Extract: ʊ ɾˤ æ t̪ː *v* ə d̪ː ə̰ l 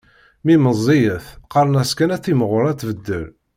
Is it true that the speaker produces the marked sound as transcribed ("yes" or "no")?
yes